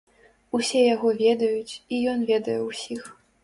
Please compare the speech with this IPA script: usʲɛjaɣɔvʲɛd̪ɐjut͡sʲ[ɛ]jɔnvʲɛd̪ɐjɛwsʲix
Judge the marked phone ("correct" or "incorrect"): incorrect